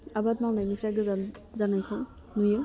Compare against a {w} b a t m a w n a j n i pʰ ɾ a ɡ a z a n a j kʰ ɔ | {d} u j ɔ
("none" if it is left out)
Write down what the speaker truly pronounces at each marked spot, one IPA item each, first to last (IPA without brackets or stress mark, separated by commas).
none, n